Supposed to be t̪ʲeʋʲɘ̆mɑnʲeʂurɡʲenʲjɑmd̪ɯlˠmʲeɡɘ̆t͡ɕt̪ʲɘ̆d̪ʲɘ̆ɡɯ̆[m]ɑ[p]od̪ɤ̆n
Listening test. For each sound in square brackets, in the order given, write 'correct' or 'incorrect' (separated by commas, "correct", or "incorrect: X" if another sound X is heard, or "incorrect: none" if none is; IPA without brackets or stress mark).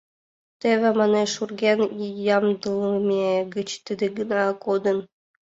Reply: incorrect: n, incorrect: k